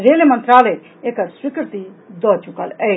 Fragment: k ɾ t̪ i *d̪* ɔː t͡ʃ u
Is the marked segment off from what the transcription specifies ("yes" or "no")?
no